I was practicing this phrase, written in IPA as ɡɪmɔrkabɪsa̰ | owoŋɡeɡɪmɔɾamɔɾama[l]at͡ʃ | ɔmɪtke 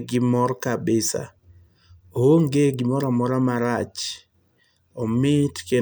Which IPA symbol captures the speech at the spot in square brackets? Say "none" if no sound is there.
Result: ɾ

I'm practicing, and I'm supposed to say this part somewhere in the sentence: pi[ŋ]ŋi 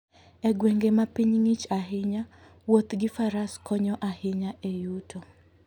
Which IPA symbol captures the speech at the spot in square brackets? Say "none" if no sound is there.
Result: ɲ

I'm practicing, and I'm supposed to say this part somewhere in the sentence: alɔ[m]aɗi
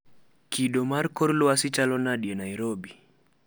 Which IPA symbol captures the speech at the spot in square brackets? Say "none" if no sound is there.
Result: n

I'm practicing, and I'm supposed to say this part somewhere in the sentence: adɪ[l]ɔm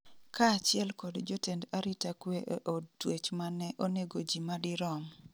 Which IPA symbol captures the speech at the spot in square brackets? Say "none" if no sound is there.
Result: ɾ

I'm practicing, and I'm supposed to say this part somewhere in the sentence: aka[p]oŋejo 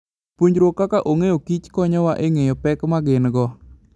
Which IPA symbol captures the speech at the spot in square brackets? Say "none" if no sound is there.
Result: ʔ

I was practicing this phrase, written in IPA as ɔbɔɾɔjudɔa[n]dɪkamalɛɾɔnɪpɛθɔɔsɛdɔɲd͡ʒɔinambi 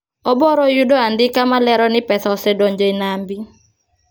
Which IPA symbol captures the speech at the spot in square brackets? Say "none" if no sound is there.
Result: n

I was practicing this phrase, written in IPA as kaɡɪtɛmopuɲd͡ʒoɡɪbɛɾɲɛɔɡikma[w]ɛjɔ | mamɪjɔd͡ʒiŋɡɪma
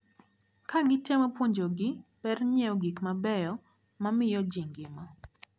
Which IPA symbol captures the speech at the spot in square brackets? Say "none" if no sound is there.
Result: b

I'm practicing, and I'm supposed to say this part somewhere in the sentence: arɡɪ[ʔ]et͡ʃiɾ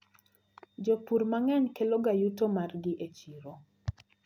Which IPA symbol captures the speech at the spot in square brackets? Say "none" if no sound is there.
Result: ʔ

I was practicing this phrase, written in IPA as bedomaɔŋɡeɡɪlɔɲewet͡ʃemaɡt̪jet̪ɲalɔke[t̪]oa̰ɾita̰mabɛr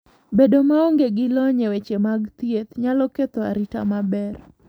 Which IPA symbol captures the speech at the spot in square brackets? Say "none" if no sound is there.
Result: t̪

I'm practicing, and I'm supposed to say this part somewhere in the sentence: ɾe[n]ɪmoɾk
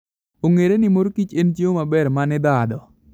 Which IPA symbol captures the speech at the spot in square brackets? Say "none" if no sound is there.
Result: n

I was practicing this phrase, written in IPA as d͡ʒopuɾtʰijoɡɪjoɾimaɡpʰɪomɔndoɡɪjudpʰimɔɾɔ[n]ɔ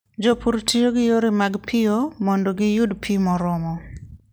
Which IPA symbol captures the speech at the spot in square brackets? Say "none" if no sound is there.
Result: m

